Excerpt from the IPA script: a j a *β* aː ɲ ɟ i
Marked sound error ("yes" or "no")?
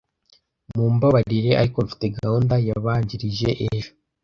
no